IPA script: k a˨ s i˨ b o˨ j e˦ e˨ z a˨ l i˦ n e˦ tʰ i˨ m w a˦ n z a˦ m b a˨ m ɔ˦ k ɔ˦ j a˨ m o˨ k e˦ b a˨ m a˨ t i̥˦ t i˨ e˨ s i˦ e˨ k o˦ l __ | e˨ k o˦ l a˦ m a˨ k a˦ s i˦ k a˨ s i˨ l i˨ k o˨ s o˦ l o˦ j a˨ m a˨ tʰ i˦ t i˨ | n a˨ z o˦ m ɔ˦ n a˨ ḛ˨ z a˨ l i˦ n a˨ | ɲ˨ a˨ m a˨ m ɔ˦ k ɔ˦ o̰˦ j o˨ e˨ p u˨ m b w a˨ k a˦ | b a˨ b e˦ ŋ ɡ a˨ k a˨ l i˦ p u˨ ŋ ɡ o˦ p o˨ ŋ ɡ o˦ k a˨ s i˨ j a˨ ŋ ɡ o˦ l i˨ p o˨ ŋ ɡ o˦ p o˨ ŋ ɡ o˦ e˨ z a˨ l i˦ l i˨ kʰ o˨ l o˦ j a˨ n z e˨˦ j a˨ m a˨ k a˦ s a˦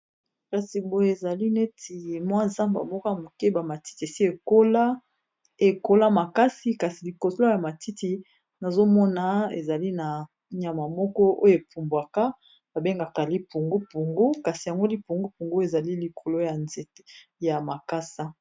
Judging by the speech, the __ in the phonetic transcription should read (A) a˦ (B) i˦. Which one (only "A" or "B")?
A